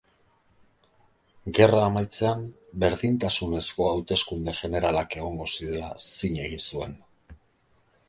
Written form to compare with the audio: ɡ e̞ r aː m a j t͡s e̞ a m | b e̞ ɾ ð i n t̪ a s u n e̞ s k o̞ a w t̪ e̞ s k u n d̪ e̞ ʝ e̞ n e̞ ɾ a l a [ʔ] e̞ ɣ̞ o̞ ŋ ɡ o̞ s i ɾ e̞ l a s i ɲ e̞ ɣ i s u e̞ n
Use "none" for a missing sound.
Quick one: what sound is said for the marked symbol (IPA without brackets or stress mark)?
k